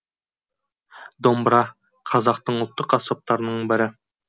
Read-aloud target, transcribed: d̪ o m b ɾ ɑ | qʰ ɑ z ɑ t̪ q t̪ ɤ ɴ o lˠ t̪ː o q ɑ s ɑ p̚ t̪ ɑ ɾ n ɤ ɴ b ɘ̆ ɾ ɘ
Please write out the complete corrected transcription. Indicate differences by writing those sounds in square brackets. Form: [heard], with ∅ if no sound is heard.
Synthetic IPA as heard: d̪ o m b ɾ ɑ | qʰ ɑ z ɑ [∅] q t̪ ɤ ɴ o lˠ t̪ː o q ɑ s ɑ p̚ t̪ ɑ ɾ n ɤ ɴ b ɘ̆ ɾ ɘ